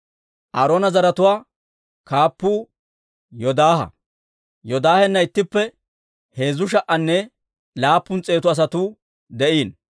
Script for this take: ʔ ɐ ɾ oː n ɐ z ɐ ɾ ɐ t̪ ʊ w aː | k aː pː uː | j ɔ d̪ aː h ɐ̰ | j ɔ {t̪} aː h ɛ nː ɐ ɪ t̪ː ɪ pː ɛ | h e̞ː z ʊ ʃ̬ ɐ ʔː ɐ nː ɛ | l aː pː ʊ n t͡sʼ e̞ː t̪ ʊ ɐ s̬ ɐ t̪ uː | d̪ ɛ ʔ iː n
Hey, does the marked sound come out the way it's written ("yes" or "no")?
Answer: no